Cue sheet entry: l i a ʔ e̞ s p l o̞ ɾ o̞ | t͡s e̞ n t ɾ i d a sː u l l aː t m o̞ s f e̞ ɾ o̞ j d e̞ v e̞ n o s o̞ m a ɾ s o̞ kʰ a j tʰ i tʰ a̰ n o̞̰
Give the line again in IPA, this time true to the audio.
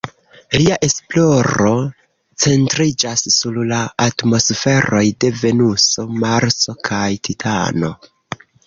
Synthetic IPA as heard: l i a ʔ e̞ s p l o̞ ɾ o̞ | t͡s e̞ n t ɾ i d͡ʒ a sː u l l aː t m o̞ s f e̞ ɾ o̞ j d e̞ v e̞ n u s o̞ m a ɾ s o̞ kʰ a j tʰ i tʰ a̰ n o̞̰